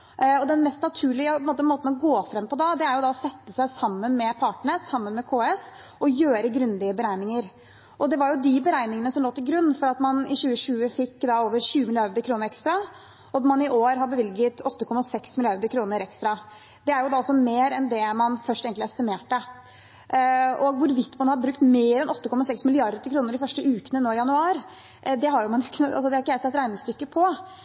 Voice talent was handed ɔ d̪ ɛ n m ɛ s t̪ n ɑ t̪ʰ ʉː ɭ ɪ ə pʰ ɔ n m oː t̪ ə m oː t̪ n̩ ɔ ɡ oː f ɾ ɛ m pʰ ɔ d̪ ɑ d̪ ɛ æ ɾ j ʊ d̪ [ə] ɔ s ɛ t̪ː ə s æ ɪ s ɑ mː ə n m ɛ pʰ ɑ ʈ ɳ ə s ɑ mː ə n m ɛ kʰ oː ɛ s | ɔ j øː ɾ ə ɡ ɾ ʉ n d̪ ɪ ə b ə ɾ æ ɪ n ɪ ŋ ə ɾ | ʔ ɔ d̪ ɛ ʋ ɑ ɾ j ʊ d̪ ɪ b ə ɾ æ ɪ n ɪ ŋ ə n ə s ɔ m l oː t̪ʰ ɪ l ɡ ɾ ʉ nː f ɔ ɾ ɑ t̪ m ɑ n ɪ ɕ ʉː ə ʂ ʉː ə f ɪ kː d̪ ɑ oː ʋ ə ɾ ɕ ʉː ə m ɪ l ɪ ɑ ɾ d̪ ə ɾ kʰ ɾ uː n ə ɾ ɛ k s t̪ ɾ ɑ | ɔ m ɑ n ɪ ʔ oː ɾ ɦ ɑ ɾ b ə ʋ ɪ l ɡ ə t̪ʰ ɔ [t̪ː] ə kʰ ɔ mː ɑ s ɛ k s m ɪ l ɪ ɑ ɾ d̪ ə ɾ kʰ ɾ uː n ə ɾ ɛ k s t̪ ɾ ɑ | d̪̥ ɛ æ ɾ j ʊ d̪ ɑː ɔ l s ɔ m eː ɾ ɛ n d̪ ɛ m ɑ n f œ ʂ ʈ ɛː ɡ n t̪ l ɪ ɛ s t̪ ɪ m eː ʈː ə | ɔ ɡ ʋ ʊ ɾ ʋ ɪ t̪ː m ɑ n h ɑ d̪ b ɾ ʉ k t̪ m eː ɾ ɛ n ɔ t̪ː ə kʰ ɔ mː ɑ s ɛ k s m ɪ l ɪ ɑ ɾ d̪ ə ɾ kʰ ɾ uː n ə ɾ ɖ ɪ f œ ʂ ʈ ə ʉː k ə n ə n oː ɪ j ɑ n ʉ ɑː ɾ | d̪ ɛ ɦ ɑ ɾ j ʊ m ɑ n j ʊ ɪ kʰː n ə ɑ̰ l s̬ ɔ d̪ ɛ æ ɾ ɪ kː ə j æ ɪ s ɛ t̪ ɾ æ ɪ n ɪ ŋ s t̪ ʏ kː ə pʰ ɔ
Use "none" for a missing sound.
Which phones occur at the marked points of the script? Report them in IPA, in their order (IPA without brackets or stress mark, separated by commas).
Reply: ɑ, t̪ː